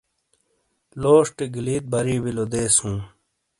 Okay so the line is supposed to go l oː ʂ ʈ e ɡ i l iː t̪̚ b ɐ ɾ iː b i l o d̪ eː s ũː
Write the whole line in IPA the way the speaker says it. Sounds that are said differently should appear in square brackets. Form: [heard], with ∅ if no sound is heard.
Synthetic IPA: l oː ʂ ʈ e ɡ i l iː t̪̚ b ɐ ɾ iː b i l o d̪ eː s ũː